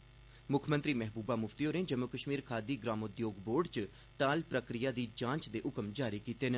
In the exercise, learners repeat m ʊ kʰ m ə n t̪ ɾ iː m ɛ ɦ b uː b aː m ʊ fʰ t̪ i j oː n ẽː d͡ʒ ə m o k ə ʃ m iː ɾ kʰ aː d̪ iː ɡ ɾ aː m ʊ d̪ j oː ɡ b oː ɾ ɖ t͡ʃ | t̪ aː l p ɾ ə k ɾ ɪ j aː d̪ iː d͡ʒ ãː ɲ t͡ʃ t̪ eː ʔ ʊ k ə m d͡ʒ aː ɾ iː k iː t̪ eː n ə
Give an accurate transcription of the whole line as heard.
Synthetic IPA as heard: m ʊ kʰ m ə n t̪ ɾ iː m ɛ ɦ b uː b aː m ʊ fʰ t̪ i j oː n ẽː d͡ʒ ə m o k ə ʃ m iː ɾ kʰ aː d̪ iː ɡ ɾ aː m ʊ d̪ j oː ɡ b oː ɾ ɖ t͡ʃ | t̪ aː l p ɾ ə k ɾ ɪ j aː d̪ iː d͡ʒ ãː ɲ t͡ʃ d̪ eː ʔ ʊ k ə m d͡ʒ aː ɾ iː k iː t̪ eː n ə